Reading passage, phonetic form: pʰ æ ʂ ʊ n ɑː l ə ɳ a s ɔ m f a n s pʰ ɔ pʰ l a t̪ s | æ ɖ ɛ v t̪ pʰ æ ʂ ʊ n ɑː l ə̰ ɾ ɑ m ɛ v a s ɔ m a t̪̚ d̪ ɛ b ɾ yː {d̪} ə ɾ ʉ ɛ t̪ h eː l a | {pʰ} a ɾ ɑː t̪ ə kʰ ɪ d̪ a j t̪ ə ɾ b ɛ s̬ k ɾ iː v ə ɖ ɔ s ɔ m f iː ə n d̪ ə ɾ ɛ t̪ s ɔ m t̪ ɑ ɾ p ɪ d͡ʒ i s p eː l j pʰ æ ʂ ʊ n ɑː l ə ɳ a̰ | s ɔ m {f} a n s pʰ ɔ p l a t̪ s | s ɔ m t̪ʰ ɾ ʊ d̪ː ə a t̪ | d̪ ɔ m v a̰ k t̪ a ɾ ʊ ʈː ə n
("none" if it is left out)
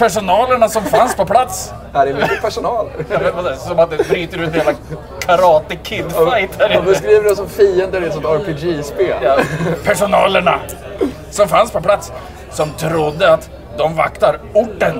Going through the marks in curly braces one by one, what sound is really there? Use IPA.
t̪, kʰ, f

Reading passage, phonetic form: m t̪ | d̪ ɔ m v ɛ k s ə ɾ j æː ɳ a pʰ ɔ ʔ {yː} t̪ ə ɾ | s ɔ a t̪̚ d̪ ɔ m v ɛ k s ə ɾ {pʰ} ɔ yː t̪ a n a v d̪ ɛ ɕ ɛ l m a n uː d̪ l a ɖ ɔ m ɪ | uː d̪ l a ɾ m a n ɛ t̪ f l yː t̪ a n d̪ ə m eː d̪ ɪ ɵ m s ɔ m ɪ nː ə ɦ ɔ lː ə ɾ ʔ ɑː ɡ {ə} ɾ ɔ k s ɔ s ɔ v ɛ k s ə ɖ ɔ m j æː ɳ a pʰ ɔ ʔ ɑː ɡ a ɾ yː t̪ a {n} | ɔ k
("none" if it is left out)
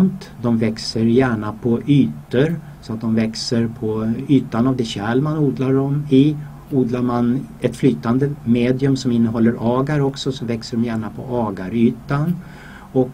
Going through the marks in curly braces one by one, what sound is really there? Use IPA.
yː, pʰ, a, n

